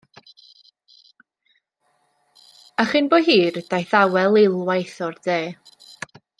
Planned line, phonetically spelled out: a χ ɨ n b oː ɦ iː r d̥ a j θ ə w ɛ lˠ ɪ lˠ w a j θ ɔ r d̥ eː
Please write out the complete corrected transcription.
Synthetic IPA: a χ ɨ n b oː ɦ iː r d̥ a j θ a w ɛ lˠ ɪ lˠ w a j θ ɔ r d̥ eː